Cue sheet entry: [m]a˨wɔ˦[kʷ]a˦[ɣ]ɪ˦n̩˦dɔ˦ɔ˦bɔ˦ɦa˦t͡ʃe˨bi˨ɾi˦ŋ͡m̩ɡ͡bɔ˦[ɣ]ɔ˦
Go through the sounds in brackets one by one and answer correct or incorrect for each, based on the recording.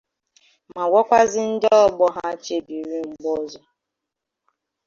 correct, correct, incorrect, incorrect

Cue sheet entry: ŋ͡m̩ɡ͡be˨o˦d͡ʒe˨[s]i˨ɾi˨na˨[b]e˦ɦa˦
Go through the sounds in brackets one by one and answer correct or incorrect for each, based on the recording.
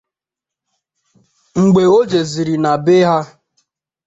incorrect, correct

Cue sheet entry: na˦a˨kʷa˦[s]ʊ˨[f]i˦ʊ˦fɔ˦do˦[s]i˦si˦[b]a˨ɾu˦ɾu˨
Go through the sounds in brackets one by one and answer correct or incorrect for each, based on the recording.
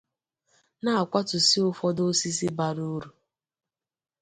incorrect, incorrect, correct, correct

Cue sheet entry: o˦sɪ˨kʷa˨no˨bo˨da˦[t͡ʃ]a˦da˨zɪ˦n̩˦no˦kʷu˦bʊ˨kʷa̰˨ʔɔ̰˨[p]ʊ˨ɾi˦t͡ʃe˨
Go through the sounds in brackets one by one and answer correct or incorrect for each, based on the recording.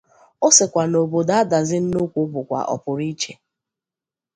incorrect, correct

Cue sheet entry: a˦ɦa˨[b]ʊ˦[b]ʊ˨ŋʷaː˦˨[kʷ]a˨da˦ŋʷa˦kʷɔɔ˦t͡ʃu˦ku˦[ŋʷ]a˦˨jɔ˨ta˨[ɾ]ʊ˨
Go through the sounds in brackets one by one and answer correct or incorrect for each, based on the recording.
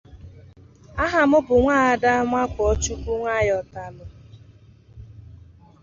incorrect, correct, incorrect, correct, incorrect

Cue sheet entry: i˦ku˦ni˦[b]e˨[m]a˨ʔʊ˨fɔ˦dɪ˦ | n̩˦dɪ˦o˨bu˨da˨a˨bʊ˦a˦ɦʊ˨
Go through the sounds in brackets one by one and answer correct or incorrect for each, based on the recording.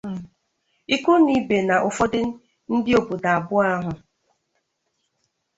correct, incorrect

